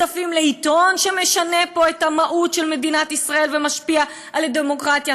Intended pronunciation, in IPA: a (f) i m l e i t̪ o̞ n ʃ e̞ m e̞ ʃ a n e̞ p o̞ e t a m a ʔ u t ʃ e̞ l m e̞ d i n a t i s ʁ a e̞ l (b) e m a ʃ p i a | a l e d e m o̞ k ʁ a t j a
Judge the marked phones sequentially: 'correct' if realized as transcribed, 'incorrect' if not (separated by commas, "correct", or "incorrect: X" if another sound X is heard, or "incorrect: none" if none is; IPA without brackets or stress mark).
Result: correct, incorrect: v